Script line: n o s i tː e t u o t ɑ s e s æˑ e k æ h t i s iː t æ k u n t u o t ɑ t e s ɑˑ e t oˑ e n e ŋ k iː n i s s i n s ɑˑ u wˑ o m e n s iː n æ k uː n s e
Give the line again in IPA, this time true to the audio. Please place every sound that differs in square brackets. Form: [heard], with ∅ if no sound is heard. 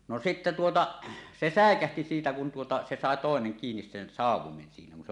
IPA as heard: n o s i tː e t u o t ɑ s e s æˑ e k æ h t i s iː t æ k u n t u o t ɑ [s] e s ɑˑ e t oˑ e n e ŋ k iː n i s s [e] n s ɑˑ u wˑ o m e n s iː n æ k [u] n s e